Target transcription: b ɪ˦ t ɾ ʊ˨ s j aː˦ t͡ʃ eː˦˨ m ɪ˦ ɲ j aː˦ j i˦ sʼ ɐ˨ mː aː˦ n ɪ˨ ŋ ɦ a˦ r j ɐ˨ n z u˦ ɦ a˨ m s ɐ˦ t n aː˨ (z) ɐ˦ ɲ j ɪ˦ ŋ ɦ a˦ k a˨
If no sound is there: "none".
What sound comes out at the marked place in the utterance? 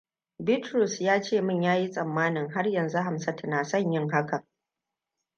s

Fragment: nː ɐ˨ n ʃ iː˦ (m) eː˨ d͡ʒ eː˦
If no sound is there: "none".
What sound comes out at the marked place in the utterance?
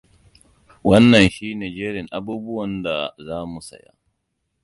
n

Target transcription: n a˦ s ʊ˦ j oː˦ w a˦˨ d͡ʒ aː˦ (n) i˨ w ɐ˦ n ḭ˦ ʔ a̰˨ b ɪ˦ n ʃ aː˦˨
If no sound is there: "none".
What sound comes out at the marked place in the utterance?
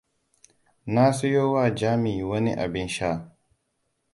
m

